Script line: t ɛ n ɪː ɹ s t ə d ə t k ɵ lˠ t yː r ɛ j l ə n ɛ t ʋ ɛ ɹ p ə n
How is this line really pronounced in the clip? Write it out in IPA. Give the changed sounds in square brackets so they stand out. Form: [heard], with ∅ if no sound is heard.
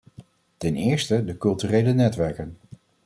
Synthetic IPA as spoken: t ɛ n ɪː ɹ s t ə d ə [∅] k ɵ lˠ t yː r [e] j l ə n ɛ t ʋ ɛ ɹ [k] ə n